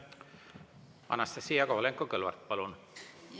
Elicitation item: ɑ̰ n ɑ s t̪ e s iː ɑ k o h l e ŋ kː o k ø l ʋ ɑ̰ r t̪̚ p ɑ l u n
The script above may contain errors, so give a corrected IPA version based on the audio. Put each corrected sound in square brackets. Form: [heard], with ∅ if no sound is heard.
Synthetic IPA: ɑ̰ n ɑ s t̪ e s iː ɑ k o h l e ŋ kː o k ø l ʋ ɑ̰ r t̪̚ p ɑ l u n